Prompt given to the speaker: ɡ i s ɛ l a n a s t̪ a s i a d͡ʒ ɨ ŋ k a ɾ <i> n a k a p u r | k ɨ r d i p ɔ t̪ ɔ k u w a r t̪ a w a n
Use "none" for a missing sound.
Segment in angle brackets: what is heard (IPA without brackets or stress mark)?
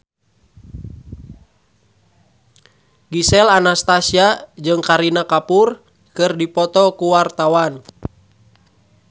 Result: i